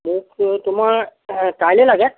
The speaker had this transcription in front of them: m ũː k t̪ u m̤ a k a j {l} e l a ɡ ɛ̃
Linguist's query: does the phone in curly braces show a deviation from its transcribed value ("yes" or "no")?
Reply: no